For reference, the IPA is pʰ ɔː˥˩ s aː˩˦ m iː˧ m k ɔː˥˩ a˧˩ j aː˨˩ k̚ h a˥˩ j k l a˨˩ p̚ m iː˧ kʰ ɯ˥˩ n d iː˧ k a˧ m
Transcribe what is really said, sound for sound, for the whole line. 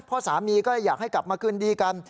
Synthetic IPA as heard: pʰ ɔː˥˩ s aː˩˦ m iː˧ k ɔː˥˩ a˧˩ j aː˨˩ k̚ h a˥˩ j k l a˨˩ p̚ m aː˧ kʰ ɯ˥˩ n d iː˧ k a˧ n